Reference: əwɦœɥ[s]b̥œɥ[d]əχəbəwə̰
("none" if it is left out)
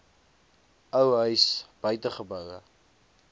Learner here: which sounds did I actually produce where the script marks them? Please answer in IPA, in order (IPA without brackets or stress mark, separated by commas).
s, t